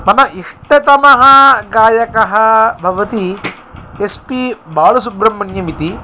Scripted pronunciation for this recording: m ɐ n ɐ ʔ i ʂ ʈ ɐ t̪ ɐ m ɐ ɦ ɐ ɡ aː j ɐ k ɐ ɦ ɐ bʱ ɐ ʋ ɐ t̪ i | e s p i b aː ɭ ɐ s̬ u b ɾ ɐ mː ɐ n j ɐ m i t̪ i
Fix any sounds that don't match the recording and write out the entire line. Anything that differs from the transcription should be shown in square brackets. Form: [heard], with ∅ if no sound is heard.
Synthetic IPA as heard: m ɐ n ɐ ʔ i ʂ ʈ ɐ t̪ ɐ m ɐ ɦ ɐ ɡ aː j ɐ k ɐ ɦ ɐ bʱ ɐ ʋ ɐ t̪ i | e s p i b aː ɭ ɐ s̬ u b ɾ ɐ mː ɐ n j ɐ m i t̪ i